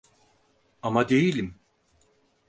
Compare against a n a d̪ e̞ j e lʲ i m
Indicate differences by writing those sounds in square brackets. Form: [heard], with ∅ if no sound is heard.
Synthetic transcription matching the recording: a [m] a d̪ e̞ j [i] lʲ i m